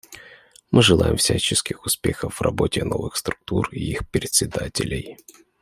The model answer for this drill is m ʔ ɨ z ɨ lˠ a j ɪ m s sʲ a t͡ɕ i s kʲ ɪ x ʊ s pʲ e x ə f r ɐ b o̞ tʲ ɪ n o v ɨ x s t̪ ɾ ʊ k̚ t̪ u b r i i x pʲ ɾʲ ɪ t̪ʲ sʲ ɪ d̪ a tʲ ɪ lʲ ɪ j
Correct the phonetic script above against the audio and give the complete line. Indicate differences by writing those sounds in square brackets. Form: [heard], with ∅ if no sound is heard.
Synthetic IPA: m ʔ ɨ [ʐ] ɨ lˠ a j ɪ m [f] sʲ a t͡ɕ [ɪ] s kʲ ɪ x ʊ s pʲ e x ə f r ɐ b o̞ tʲ ɪ n o v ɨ x s t̪ ɾ ʊ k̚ t̪ u [∅] r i i x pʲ ɾʲ ɪ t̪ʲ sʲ ɪ d̪ a tʲ ɪ lʲ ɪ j